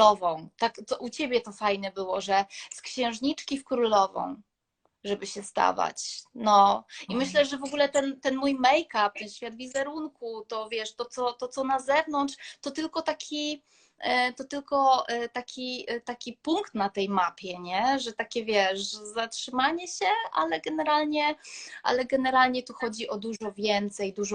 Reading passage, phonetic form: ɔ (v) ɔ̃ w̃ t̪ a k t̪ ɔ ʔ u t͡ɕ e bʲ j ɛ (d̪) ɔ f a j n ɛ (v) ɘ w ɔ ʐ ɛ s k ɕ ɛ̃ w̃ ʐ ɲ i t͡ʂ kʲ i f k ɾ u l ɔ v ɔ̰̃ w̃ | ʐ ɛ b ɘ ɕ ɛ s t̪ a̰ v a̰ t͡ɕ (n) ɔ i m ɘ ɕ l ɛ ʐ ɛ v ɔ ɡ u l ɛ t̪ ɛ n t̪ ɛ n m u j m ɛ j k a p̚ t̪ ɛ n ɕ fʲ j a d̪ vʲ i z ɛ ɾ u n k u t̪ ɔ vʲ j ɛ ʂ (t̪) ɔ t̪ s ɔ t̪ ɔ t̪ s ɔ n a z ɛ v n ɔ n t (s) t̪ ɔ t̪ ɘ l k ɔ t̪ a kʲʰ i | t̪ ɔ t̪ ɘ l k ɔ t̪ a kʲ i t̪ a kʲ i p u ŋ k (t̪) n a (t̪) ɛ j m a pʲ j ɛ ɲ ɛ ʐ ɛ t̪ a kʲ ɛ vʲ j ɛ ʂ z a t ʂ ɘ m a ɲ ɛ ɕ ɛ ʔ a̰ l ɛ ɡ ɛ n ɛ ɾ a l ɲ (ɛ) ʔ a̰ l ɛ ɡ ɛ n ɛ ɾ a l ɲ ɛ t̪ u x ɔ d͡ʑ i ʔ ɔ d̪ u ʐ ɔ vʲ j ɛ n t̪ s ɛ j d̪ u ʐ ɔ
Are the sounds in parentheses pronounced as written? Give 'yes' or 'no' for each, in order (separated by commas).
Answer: yes, no, no, yes, yes, no, yes, yes, yes